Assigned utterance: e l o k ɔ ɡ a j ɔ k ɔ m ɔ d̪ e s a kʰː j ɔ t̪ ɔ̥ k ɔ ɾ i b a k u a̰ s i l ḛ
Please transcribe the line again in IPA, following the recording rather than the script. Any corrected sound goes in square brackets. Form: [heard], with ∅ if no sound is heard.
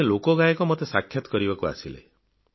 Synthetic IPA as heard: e l o k ɔ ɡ a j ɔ k ɔ m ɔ [t̪] e s a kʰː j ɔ t̪ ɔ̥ k ɔ ɾ i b a k u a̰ s i l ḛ

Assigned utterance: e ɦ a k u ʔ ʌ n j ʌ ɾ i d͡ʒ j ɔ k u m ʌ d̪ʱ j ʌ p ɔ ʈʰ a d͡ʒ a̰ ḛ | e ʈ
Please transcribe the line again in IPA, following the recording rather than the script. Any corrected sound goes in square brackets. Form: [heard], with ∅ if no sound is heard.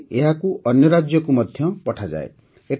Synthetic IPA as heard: e ɦ a k u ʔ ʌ n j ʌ ɾ [a] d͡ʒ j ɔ k u m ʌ d̪ʱ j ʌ p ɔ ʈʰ a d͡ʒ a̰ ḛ | e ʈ

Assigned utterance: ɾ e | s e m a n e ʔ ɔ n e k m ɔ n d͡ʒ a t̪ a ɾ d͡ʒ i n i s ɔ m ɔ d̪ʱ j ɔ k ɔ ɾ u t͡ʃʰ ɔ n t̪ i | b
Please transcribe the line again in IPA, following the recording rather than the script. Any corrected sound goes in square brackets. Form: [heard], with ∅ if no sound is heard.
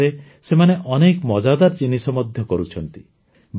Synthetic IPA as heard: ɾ e | s e m a n e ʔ ɔ n e k m ɔ [∅] d͡ʒ a [d̪] a ɾ d͡ʒ i n i s ɔ m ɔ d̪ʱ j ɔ k ɔ ɾ u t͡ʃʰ ɔ n t̪ i | b

